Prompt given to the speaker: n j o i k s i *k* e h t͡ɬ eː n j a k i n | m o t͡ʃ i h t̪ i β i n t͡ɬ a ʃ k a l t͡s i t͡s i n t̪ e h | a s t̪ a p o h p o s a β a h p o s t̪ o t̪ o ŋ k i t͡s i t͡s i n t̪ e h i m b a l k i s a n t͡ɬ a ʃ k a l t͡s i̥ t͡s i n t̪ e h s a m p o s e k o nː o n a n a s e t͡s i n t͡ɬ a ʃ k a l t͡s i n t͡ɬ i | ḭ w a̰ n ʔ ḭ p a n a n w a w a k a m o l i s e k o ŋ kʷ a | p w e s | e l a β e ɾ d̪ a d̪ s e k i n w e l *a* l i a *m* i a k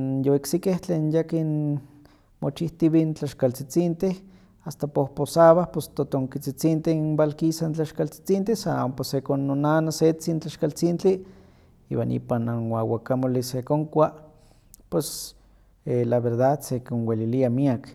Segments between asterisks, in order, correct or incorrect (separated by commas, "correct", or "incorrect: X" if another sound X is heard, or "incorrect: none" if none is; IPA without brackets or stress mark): correct, incorrect: i, correct